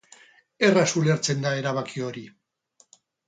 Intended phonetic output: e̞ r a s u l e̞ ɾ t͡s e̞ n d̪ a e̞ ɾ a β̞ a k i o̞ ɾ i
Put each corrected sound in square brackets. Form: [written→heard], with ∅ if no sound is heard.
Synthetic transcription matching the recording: e̞ r a s u l e̞ ɾ t͡s e̞ n d̪ a e̞ ɾ a β̞ a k i o̞ ɾ i

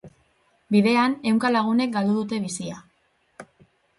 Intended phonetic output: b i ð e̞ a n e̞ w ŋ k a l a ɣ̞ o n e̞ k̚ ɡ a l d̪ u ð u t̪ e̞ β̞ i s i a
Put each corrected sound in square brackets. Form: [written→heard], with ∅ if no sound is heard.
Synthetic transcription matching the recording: b i ð e̞ a n e̞ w ŋ k a l a ɣ̞ [o→u] n e̞ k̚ ɡ a l d̪ u ð u t̪ e̞ β̞ i s i a

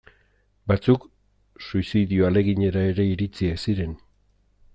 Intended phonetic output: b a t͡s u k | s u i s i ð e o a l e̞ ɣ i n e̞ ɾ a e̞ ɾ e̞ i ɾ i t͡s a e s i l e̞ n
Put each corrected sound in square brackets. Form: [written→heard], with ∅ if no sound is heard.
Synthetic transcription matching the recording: b a t͡s u k | s u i s i ð [e→i] o a l e̞ ɣ i [n→ɲ] e̞ ɾ a e̞ ɾ e̞ i ɾ i t͡s [a→i] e s i [l→ɾ] e̞ n

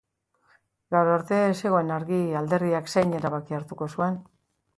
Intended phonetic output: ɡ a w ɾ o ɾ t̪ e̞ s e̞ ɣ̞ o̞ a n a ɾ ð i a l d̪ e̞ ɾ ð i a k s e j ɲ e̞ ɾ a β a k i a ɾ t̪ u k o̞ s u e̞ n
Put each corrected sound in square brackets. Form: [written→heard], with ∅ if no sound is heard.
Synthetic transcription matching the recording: ɡ a w ɾ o ɾ t̪ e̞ s e̞ ɣ̞ o̞ [a→e] n a ɾ [ð→ɣ] i a l d̪ e̞ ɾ ð i a k s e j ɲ e̞ ɾ a β a k i a ɾ t̪ u k o̞ s u e̞ n

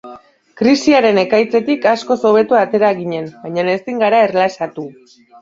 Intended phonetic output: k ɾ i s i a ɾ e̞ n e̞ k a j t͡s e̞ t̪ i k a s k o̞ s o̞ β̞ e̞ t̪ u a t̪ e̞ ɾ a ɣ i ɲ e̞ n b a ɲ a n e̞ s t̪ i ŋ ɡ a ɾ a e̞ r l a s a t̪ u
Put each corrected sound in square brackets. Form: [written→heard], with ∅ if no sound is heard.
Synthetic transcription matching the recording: k ɾ i s i a ɾ e̞ n e̞ k a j t͡s e̞ t̪ i k a s k o̞ s o̞ β̞ e̞ t̪ u a t̪ e̞ ɾ a ɣ i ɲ e̞ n b a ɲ a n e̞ s t̪ i ŋ ɡ a ɾ a e̞ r l a s a t̪ u

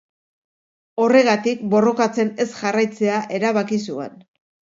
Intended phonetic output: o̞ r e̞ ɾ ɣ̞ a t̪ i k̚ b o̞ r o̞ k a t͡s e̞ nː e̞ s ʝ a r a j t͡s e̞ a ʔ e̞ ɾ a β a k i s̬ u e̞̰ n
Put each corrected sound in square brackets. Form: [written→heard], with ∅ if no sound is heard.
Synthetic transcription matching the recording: o̞ r e̞ [ɾ→∅] ɣ̞ a t̪ i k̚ b o̞ r o̞ k a t͡s e̞ [nː→n] e̞ s ʝ a r a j t͡s e̞ a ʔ e̞ ɾ a β a k i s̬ u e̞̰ n

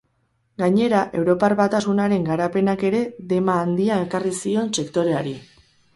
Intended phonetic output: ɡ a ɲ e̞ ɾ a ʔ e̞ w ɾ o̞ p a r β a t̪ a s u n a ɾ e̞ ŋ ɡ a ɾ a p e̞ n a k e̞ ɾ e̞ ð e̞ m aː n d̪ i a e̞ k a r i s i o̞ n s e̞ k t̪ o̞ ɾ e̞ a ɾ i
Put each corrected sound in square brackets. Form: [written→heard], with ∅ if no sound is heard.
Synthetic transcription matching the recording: ɡ a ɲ e̞ ɾ a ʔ e̞ w ɾ o̞ p a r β a t̪ a s u n a ɾ e̞ ŋ ɡ a ɾ a p e̞ n a k e̞ ɾ e̞ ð e̞ m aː n d̪ i a e̞ k a r i s i o̞ n s e̞ k t̪ o̞ ɾ e̞ a ɾ i

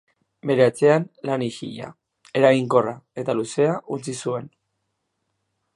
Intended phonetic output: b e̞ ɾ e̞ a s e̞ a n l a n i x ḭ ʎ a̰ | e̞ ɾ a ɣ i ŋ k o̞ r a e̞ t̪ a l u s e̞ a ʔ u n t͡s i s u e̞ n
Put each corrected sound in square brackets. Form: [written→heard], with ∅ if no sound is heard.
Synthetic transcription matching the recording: b e̞ ɾ e̞ a [s→t͡s] e̞ a n l a n i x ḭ ʎ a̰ | e̞ ɾ a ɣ i ŋ k o̞ r a e̞ t̪ a l u s e̞ a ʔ u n t͡s i s u e̞ n

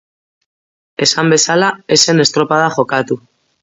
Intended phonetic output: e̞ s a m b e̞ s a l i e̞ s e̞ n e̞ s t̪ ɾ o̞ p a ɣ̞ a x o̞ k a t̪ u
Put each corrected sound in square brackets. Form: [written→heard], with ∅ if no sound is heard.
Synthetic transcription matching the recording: e̞ s a m b e̞ s a l [i→a] e̞ s e̞ n e̞ s t̪ ɾ o̞ p a [ɣ̞→ð̞] a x o̞ k a t̪ u

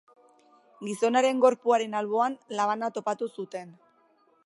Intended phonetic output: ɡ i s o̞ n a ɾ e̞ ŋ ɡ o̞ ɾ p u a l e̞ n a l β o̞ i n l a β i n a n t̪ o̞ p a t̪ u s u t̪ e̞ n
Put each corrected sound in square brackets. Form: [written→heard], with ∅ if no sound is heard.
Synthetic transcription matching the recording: ɡ i s o̞ n a ɾ e̞ ŋ ɡ o̞ ɾ p u a [l→ɾ] e̞ n a l β o̞ [i→a] n l a β [i→a] n a [n→∅] t̪ o̞ p a t̪ u s u t̪ e̞ n

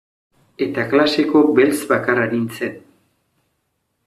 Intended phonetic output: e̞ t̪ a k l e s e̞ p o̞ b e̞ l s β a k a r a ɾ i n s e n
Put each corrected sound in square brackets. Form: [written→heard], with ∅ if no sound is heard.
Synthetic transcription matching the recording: e̞ t̪ a k l [e→a] s e̞ [p→k] o̞ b e̞ l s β a k a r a ɾ i n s e n

